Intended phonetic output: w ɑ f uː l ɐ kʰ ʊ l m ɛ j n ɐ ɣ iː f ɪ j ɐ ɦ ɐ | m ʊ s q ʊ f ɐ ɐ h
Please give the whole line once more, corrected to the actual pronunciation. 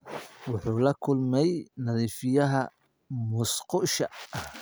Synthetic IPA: w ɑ ħ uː l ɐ kʰ ʊ l m ɛ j n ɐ ð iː f ɪ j ɐ ɦ ɐ | m ʊ s q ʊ ʃ ɐ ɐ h